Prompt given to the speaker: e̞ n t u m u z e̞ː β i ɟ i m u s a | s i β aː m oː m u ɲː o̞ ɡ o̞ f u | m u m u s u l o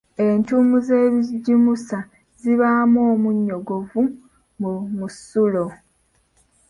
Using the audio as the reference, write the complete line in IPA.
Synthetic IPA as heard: e̞ n t u m u z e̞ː β i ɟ i m u s a | z i β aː m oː m u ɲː o̞ ɡ o̞ v u | m u m u s u l o